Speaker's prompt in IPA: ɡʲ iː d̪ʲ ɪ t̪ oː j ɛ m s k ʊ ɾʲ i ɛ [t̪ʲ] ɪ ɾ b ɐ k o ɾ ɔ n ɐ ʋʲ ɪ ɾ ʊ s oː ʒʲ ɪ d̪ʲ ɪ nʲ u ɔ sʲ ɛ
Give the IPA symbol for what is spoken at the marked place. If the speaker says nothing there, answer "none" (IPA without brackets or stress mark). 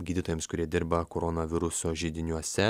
d̪ʲ